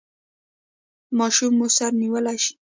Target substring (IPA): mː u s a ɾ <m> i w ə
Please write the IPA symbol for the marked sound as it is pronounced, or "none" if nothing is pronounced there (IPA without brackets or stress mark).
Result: n